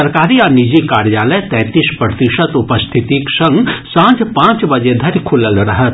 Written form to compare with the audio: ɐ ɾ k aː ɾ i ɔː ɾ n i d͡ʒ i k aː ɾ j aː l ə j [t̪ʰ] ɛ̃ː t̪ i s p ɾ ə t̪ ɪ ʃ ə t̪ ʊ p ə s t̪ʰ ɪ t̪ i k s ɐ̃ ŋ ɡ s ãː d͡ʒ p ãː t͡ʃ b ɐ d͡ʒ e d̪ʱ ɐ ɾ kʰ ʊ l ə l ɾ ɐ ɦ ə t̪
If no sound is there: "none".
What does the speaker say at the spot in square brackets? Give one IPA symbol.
t̪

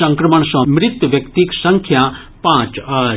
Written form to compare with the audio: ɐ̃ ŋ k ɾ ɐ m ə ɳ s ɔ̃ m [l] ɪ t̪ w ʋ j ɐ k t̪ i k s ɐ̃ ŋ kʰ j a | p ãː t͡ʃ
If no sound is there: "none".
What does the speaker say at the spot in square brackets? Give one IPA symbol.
ɾ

